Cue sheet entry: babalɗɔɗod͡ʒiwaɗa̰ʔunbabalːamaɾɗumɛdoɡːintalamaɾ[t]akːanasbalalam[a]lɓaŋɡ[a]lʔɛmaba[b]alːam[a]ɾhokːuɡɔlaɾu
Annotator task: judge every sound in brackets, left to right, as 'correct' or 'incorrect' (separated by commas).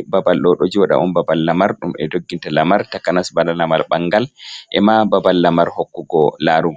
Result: correct, correct, correct, correct, correct